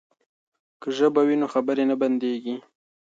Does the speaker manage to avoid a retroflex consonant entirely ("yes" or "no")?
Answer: yes